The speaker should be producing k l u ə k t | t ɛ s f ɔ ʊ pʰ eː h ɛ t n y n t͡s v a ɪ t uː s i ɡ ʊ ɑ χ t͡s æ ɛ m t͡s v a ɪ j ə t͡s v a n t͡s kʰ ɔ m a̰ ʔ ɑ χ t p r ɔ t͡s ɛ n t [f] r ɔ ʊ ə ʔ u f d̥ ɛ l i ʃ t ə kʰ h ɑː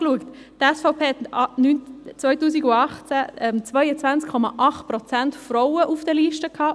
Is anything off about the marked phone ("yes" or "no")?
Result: no